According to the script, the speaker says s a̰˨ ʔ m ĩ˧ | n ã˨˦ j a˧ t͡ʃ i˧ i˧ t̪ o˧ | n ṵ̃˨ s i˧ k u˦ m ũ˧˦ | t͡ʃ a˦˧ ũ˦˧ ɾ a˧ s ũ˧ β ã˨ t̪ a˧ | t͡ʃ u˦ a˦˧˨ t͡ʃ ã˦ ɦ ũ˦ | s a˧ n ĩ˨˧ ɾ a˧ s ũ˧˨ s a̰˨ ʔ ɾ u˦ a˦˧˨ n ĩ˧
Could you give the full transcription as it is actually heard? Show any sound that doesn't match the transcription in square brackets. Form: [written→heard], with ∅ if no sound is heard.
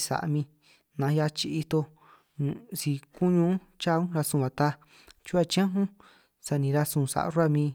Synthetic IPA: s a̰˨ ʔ m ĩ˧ | n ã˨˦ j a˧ t͡ʃ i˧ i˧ t̪ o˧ | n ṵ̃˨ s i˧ k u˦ [m→ɲ] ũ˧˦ | t͡ʃ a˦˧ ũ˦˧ ɾ a˧ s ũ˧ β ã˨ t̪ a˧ | t͡ʃ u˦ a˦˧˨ t͡ʃ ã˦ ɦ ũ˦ | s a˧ n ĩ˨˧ ɾ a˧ s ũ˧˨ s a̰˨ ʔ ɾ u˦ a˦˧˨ [n→m] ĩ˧